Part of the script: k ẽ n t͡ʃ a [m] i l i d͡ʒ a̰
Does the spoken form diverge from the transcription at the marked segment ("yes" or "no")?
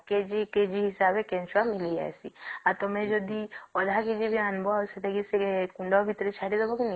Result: no